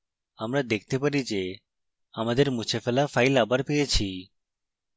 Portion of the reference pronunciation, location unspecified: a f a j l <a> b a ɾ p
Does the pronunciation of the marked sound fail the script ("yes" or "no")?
no